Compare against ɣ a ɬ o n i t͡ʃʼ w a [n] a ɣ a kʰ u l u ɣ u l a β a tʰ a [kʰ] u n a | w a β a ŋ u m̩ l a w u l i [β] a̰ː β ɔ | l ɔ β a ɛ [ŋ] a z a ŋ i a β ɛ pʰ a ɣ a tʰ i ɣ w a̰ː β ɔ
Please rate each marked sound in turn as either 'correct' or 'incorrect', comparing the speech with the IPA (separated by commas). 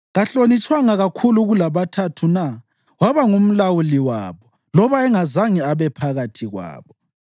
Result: incorrect, incorrect, incorrect, correct